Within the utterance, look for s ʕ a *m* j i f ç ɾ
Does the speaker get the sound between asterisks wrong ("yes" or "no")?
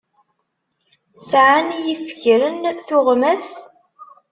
yes